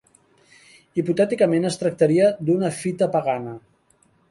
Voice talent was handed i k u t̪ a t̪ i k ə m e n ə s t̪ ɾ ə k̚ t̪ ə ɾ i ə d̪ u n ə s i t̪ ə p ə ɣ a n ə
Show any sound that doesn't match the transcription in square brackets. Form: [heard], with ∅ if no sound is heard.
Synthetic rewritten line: i [p] u t̪ [ɛ] t̪ i k ə m e n ə s t̪ ɾ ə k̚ t̪ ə ɾ i ə d̪ u n ə [f] i t̪ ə p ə ɣ a n ə